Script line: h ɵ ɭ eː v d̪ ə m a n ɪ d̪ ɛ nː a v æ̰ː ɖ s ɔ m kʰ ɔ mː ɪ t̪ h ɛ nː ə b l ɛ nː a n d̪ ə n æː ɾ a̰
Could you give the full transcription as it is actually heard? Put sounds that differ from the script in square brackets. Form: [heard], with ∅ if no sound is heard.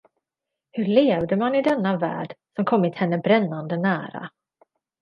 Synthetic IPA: h ɵ ɭ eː v d̪ ə m a n ɪ d̪ ɛ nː a v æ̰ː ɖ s ɔ m kʰ ɔ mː ɪ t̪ h ɛ nː ə b [ɾ] ɛ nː a n d̪ ə n æː ɾ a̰